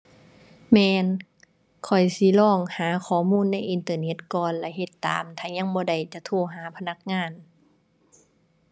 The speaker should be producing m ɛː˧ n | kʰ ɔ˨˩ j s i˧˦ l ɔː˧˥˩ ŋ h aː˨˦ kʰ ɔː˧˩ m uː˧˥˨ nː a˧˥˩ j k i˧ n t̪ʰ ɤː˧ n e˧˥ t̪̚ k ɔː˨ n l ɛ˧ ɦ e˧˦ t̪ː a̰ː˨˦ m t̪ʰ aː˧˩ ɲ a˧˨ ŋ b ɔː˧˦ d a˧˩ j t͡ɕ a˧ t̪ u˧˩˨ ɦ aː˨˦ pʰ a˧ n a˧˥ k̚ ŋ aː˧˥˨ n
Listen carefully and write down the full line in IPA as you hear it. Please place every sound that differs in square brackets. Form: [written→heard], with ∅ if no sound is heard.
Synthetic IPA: m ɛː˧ n | kʰ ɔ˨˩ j s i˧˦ l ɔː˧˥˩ ŋ h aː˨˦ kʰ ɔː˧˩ m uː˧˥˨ nː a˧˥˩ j [k→ʔ] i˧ n [t̪ʰ→t̪] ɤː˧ n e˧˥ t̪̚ k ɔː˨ n l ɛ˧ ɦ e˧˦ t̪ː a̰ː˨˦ m t̪ʰ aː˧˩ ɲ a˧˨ ŋ b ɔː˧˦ d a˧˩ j t͡ɕ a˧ [t̪→t̪ʰ] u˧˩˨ ɦ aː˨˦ pʰ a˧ n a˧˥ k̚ ŋ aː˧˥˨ n

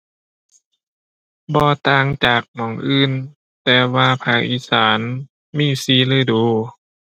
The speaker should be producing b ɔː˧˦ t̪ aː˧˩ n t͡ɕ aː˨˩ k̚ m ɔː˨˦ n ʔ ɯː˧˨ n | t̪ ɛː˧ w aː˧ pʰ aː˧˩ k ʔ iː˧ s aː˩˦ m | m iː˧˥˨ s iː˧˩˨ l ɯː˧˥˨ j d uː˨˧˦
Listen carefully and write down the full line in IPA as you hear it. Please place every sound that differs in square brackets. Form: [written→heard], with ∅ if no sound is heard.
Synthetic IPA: b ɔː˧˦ t̪ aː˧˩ [n→ŋ] t͡ɕ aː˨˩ k̚ m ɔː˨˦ [n→ŋ] ʔ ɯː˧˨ n | t̪ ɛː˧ w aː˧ pʰ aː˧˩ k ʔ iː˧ s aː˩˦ [m→n] | m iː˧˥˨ s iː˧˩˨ l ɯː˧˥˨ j d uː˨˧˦

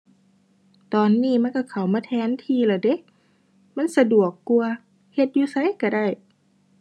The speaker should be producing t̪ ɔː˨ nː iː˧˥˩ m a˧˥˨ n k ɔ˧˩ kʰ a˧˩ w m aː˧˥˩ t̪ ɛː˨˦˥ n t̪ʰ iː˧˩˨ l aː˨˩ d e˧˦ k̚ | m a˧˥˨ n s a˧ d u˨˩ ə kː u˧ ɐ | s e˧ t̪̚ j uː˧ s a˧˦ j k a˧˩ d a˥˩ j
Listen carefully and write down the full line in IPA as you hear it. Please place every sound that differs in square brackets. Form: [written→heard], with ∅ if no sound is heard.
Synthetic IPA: t̪ ɔː˨ nː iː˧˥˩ m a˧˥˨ n k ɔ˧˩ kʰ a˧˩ w m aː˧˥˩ [t̪→t̪ʰ] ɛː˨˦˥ n t̪ʰ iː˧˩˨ l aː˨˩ d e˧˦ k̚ | m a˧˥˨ n s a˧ d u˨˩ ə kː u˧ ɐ | [s→h] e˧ t̪̚ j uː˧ s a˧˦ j k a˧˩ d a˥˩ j

